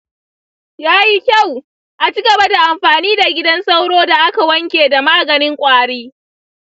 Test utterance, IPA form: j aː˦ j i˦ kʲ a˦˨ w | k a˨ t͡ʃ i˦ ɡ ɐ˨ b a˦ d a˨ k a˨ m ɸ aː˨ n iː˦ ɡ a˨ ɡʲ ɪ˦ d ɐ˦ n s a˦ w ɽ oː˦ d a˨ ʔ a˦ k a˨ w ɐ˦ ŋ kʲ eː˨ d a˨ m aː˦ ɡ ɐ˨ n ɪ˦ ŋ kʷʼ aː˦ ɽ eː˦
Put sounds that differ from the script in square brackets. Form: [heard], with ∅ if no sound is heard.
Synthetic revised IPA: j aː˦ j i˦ kʲ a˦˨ w | [ʔ] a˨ t͡ʃ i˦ ɡ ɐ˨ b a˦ d a˨ [ʔ] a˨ m ɸ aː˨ n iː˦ [d] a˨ ɡʲ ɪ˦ d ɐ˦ n s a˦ w ɽ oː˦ d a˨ ʔ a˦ k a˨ w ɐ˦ ŋ kʲ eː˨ d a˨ m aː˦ ɡ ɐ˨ n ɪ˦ ŋ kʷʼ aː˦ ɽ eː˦